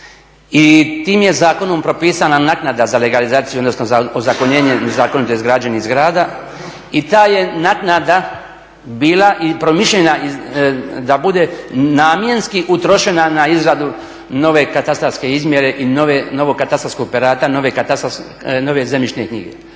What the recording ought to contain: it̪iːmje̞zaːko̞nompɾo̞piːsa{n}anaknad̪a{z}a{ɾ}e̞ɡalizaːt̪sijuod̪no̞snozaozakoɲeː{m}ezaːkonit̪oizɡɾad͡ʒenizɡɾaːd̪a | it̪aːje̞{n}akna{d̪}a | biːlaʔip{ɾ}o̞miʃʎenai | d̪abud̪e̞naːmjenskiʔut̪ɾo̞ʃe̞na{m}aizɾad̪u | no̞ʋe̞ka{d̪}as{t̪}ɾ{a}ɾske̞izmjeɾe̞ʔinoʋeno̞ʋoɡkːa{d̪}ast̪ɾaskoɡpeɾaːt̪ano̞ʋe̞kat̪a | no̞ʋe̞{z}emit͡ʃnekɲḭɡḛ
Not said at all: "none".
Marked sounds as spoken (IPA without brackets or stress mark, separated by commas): n, z, l, ɲ, n, d̪, ɾ, n, t̪, t̪, a, t̪, z